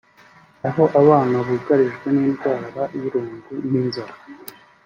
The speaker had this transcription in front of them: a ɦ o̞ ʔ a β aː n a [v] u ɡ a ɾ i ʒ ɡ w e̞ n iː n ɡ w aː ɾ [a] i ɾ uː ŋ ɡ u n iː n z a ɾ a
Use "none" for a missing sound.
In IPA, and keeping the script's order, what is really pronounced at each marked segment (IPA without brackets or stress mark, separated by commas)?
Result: β, a